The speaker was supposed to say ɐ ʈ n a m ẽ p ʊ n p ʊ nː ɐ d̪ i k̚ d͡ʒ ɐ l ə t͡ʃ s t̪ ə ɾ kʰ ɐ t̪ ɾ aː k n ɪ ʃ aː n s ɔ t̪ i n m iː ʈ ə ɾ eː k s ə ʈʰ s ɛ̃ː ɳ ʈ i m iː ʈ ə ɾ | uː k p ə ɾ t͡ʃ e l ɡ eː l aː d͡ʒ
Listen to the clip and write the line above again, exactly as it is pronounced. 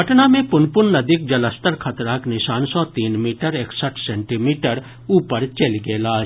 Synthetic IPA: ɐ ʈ n a m ẽ p ʊ n p ʊ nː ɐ d̪ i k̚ d͡ʒ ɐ l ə s t̪ ə ɾ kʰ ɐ t̪ ɾ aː k n ɪ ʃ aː n s ɔ t̪ iː n m iː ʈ ə ɾ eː k s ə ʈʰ s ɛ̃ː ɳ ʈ i m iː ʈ ə ɾ | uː p ə ɾ t͡ʃ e l ɡ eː l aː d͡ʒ